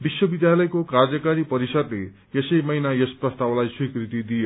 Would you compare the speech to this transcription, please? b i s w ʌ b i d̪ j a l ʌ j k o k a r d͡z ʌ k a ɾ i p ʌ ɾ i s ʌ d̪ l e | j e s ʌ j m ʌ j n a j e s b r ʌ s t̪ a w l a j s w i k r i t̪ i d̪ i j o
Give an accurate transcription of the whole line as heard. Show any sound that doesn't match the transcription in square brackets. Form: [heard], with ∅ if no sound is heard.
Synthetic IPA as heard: b i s w ʌ b i d̪ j a l ʌ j k o k a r d͡z ʌ k a ɾ i p ʌ ɾ i s ʌ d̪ l e | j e s ʌ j m ʌ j n a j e s [p] r ʌ s t̪ a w l a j s w i k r i t̪ i d̪ i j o

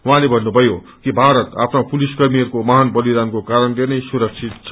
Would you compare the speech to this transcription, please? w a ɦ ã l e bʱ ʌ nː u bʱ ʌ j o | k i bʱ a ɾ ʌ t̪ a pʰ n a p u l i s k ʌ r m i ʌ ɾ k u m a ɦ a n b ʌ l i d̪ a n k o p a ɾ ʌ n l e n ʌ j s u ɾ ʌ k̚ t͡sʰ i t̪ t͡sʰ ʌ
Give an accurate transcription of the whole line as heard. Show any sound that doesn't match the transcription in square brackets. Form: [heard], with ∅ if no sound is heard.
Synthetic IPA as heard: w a ɦ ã l e bʱ ʌ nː u bʱ ʌ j o | k i bʱ a ɾ ʌ t̪ a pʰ n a p u l i s k ʌ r m i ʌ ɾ k [o] m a ɦ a n b ʌ l i d̪ a n k o [k] a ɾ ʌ n l e n ʌ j s u ɾ ʌ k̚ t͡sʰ i t̪ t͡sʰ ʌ

